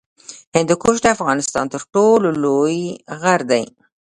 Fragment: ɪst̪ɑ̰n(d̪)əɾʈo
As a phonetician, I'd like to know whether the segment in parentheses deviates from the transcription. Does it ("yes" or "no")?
yes